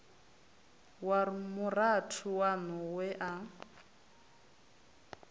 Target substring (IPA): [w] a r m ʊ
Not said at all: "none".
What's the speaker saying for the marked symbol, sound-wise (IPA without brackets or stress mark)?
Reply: w